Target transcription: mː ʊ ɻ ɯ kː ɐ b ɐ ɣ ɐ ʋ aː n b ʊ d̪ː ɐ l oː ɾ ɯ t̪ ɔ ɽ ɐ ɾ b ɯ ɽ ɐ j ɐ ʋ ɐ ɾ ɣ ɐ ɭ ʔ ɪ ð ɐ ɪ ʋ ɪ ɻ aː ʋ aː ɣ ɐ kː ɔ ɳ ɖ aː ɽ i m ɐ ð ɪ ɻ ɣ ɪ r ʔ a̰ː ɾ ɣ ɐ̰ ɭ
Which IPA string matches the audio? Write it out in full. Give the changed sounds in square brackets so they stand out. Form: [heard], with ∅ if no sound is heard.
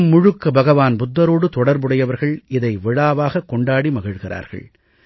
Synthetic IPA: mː ʊ ɻ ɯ kː ɐ b ɐ ɣ ɐ ʋ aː n b ʊ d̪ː ɐ [ɾ] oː [ɽ] ɯ t̪ ɔ ɽ ɐ ɾ b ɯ ɽ ɐ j ɐ ʋ ɐ ɾ ɣ ɐ ɭ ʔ ɪ ð ɐ ɪ ʋ ɪ ɻ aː ʋ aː ɣ ɐ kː ɔ ɳ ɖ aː ɽ i m ɐ [ɣ] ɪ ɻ ɣ ɪ r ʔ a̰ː ɾ ɣ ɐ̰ ɭ